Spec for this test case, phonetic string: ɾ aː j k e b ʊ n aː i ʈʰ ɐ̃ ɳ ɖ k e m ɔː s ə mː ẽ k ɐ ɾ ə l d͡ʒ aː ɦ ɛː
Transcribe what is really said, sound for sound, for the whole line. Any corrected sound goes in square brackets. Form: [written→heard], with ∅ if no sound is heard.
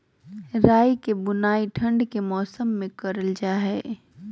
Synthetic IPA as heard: ɾ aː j k e b ʊ n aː i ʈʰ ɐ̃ ɳ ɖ k e m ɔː s ə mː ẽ k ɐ ɾ ə l d͡ʒ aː ɦ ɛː